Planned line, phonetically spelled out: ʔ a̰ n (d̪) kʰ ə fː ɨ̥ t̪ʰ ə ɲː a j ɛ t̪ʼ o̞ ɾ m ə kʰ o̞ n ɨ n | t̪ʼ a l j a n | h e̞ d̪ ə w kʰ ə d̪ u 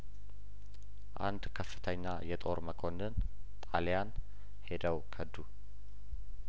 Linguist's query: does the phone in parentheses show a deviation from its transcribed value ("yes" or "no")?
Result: no